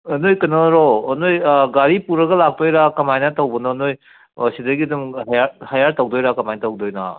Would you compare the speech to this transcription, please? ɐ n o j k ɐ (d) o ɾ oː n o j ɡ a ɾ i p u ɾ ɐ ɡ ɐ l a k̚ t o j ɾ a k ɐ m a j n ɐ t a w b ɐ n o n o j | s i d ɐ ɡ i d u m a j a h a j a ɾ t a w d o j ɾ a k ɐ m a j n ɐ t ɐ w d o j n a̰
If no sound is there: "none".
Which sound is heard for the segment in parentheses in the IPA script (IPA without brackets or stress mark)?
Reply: n